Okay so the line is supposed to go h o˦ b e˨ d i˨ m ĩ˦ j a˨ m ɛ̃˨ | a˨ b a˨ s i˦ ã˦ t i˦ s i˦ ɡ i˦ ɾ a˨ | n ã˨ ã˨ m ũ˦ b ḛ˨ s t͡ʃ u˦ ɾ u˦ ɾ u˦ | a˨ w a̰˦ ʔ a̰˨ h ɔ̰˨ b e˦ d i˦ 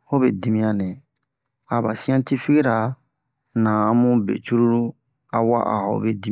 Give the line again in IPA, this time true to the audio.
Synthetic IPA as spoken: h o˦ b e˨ d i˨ m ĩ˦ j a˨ n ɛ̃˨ | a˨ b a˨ s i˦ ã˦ t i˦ f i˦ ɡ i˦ ɾ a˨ | n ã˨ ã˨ m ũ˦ b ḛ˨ t͡ʃ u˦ ɾ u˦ ɾ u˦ | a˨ w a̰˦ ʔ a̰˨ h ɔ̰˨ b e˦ d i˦

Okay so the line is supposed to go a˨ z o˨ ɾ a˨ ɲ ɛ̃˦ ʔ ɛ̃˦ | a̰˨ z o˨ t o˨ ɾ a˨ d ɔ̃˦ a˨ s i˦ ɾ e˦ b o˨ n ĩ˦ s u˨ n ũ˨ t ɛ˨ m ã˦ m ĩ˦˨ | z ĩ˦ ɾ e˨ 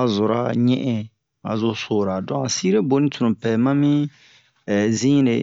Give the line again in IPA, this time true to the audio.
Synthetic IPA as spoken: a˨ z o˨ ɾ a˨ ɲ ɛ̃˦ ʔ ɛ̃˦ | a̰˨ z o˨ s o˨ ɾ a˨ d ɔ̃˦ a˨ s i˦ ɾ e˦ b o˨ n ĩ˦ t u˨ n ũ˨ p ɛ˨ m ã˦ m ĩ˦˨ | z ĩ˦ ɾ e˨

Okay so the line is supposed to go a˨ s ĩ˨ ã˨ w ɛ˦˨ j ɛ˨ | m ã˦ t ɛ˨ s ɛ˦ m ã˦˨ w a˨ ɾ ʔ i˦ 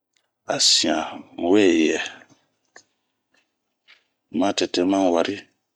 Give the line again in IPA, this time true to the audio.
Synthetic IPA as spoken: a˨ s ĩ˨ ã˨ w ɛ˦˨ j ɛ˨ | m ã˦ t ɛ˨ t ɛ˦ m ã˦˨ w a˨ ɾ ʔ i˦

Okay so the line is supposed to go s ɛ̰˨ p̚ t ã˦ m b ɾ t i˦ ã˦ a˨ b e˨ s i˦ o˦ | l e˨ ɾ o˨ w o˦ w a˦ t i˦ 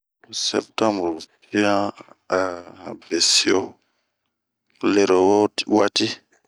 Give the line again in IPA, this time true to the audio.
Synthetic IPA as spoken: s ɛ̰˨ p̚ t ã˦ m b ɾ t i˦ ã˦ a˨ b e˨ s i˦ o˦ | l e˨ ɾ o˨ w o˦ w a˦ t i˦

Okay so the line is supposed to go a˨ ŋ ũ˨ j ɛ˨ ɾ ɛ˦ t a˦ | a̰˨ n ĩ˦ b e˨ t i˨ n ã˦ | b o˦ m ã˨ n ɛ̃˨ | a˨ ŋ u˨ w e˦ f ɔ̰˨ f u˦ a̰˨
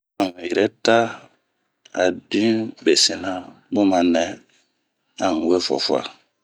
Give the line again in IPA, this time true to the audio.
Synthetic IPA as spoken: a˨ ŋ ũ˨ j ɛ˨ ɾ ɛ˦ t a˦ | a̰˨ d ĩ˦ b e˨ s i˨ n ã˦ | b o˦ m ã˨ n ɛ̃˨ | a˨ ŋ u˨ w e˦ f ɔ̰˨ f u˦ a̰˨

